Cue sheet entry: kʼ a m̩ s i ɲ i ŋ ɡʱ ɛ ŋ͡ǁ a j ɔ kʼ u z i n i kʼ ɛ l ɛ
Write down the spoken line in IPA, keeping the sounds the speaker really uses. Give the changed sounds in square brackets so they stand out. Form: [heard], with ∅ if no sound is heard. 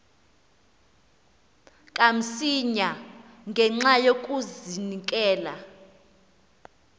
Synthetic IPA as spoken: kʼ a m̩ s i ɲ [a] ŋ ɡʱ ɛ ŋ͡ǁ a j [o] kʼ u z i n i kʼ [ɛː] l [a]